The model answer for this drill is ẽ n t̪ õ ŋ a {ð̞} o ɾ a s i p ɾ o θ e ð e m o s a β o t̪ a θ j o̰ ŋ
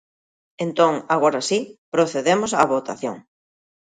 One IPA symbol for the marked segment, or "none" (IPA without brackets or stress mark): ɣ̞